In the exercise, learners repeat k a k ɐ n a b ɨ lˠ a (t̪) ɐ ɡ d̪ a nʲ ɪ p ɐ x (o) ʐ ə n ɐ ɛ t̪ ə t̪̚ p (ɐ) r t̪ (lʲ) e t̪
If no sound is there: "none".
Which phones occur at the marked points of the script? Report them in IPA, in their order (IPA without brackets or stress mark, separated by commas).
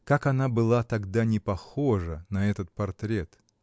t̪, o, ɐ, ɾʲ